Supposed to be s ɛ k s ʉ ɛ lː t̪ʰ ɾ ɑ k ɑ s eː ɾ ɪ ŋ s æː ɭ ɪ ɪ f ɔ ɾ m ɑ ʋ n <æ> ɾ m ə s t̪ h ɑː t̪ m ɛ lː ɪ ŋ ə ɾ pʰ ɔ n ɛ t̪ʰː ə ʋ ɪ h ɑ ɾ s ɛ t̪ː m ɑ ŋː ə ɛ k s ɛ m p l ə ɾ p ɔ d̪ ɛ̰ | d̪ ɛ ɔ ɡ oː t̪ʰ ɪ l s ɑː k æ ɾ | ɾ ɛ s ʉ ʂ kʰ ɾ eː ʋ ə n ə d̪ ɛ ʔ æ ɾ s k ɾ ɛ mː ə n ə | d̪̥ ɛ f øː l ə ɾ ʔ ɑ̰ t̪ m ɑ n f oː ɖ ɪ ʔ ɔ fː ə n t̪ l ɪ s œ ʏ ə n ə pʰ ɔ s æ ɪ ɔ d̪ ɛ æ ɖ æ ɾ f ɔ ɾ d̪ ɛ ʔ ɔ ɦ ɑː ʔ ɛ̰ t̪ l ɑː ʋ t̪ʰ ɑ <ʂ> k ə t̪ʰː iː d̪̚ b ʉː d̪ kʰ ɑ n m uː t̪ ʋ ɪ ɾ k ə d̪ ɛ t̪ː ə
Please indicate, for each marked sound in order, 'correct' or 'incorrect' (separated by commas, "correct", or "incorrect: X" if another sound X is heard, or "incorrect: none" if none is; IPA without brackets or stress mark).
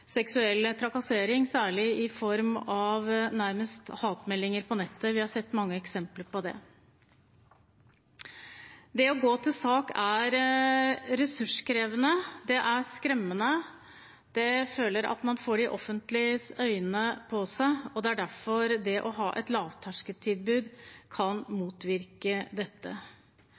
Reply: correct, correct